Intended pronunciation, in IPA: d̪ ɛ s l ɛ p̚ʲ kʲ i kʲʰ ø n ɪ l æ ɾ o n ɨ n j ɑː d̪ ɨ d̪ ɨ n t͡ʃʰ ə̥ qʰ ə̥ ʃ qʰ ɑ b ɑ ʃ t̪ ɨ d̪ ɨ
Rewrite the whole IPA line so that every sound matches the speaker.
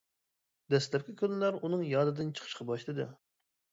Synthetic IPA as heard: d̪ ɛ s l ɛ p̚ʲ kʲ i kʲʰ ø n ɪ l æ ɾ u n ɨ ŋ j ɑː d̪ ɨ d̪ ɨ n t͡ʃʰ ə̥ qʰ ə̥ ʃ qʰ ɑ b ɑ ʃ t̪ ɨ d̪ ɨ